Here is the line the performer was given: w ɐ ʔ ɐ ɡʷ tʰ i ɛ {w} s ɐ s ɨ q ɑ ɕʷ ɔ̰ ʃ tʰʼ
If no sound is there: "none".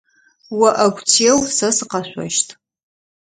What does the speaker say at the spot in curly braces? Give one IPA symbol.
w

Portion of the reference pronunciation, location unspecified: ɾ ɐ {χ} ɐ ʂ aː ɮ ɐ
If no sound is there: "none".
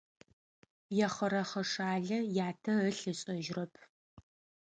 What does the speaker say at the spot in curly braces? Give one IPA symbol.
χ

